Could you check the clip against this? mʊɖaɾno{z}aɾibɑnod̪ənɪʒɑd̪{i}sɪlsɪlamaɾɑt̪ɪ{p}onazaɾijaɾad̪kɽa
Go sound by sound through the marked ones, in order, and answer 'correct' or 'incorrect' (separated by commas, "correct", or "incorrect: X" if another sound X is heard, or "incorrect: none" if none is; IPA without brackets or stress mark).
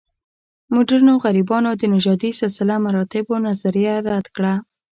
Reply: incorrect: ɣ, correct, incorrect: b